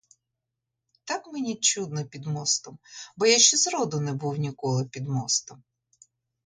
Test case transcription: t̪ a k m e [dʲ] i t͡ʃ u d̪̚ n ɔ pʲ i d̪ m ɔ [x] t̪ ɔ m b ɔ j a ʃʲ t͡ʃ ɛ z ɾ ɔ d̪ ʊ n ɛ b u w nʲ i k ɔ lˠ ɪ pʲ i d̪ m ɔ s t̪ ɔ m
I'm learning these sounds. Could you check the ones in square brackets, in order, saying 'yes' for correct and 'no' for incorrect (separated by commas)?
no, no